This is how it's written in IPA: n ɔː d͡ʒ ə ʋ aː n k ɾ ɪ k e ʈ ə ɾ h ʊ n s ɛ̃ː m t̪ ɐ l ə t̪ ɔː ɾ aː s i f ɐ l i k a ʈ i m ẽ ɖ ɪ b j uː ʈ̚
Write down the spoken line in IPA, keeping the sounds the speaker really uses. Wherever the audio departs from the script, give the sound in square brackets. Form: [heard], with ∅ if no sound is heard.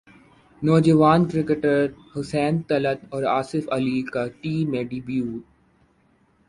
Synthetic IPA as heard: n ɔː d͡ʒ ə ʋ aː n k ɾ ɪ k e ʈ ə ɾ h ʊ [∅] s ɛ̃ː [n] t̪ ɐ l ə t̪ ɔː ɾ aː s [ɪ] f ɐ l i k a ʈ [iː] m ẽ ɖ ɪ b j uː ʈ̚

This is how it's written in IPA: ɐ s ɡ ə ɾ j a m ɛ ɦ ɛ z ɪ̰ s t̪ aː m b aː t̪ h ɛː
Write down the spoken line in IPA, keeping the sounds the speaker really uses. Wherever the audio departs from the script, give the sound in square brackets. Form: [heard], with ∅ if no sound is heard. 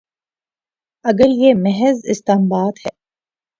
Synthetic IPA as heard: ɐ [∅] ɡ ə ɾ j [e] m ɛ ɦ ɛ z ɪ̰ s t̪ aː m b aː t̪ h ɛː

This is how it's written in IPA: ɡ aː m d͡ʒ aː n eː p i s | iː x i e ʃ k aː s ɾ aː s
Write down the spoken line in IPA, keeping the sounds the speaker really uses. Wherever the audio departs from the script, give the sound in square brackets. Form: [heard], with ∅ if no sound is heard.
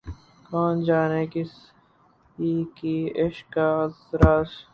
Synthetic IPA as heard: [k] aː [n] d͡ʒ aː n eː [k] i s | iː [k] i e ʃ k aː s ɾ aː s

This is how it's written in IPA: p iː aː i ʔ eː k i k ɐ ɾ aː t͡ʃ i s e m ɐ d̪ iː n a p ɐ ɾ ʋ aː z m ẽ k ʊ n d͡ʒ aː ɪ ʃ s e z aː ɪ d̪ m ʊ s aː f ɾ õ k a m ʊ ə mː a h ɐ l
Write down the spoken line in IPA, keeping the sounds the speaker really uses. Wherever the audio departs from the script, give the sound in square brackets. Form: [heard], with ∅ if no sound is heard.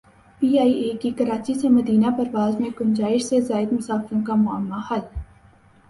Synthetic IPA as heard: p iː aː i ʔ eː k i k ɐ ɾ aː t͡ʃ i s e m ɐ d̪ iː n a p ɐ ɾ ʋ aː z m ẽ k ʊ n d͡ʒ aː ɪ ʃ s e z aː ɪ d̪ m ʊ s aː f ɾ õ k a m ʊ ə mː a h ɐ l

